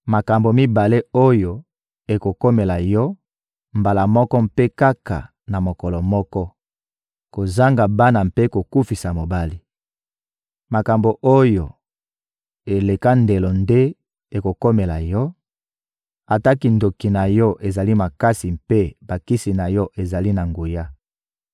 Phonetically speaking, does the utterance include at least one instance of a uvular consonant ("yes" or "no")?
no